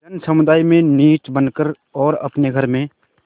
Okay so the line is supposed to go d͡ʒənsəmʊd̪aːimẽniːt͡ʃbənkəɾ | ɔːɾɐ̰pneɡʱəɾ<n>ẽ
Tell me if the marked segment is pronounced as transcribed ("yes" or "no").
no